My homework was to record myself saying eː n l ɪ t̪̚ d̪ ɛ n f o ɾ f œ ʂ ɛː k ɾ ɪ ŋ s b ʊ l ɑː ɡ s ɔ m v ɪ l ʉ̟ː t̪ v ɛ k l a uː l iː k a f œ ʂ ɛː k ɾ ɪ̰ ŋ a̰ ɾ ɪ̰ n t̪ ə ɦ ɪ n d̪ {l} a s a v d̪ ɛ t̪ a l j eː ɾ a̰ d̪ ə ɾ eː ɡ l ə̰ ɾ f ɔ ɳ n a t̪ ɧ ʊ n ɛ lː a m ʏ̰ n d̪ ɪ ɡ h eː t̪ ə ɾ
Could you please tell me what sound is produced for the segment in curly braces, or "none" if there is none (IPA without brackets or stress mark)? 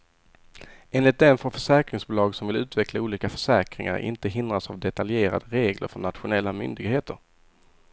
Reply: ɾ